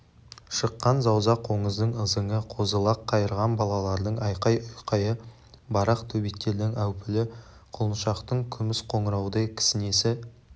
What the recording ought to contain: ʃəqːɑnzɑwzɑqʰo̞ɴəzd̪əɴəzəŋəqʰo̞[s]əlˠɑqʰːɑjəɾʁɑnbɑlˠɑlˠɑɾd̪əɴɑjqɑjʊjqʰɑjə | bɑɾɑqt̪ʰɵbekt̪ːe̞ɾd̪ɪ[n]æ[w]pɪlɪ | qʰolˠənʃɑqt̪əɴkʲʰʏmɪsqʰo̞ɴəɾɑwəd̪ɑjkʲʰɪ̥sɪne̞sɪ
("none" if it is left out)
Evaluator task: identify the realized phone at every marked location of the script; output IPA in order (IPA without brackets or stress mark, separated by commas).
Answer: z, ŋ, w